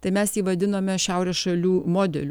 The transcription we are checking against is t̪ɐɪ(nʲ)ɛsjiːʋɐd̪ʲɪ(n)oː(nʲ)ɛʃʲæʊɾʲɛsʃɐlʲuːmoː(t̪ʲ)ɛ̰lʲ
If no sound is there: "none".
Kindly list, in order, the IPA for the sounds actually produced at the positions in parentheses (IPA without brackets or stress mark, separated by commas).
mʲ, n, mʲ, d̪ʲ